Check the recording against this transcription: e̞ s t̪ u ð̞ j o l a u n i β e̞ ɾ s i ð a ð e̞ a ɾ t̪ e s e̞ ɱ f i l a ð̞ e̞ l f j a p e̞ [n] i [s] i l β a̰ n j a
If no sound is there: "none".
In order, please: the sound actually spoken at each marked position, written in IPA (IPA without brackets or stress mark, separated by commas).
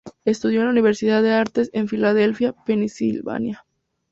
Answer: n, s